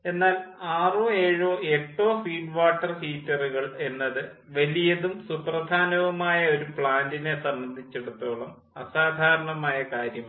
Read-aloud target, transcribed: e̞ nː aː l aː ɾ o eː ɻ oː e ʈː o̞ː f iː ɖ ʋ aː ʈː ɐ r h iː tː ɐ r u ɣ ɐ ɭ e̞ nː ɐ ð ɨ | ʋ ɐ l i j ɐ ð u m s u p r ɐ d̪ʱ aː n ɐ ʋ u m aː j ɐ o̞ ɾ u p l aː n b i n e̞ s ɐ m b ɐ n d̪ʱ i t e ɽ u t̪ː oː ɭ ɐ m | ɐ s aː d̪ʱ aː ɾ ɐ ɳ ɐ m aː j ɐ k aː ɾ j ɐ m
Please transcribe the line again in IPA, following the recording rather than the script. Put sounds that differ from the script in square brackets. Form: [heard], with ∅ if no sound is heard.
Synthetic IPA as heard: e̞ nː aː l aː [r] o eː ɻ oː e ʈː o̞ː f iː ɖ ʋ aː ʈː ɐ r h iː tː ɐ r u ɣ ɐ ɭ e̞ nː ɐ ð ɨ | ʋ ɐ l i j ɐ ð u m s u p r ɐ d̪ʱ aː n ɐ ʋ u m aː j ɐ o̞ ɾ u p [ɭ] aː n [d] i n e̞ s ɐ m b ɐ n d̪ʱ i [t͡ɕː] e ɽ u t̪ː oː ɭ ɐ m | ɐ s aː d̪ʱ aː ɾ ɐ ɳ ɐ m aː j ɐ k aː ɾ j ɐ m